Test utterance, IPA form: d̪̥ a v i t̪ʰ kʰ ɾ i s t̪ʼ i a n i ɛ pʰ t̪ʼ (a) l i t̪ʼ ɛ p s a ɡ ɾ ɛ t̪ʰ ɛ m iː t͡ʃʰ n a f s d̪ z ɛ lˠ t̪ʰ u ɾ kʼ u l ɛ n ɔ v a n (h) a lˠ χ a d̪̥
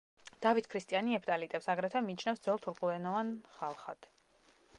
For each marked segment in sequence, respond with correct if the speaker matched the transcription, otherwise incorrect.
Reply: correct, incorrect: χ

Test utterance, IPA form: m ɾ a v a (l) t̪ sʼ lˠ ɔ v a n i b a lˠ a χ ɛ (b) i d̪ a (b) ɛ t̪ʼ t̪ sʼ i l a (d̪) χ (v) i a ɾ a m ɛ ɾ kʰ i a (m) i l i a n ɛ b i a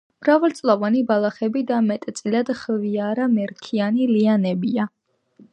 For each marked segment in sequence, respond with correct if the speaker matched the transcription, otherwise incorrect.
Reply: correct, correct, incorrect: m, correct, correct, incorrect: n

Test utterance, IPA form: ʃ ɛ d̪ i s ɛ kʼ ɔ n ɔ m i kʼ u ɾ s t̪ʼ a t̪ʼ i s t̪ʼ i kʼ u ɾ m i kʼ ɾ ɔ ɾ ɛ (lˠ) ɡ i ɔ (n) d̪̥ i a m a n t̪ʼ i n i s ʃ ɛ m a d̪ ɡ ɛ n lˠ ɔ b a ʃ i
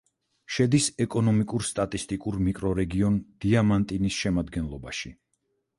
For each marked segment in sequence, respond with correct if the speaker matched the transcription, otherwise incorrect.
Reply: incorrect: none, correct

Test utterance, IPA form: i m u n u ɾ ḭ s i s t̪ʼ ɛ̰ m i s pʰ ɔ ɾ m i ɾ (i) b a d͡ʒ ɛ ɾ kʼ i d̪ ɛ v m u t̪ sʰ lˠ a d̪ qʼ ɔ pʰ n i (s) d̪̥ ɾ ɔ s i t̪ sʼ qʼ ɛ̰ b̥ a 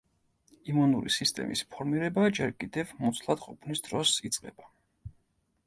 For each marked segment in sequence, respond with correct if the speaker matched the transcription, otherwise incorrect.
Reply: incorrect: ɛ, correct

